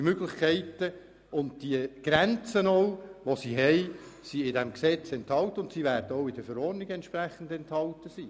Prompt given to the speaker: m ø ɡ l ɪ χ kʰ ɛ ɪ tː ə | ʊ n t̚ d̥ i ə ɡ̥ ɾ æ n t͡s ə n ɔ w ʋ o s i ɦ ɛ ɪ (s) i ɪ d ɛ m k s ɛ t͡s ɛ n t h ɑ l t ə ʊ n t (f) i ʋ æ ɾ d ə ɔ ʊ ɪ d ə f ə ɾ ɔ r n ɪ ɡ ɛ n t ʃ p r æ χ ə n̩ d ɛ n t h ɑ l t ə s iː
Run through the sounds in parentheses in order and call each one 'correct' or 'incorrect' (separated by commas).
correct, incorrect